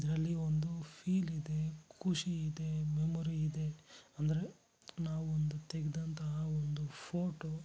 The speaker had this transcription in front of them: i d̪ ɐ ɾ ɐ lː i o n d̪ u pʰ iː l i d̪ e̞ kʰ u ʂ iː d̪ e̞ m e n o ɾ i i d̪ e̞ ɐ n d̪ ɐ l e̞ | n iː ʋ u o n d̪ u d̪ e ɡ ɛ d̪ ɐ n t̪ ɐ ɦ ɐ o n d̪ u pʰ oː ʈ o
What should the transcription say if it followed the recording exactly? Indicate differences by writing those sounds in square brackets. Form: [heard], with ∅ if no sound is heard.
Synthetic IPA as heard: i d̪ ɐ ɾ ɐ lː i o n d̪ u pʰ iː l i d̪ e̞ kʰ u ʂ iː d̪ e̞ m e [m] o ɾ i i d̪ e̞ ɐ n d̪ ɐ [ɾ] e̞ | n [aː] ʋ u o n d̪ u [t̪] e ɡ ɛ d̪ ɐ n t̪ ɐ ɦ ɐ o n d̪ u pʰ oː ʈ o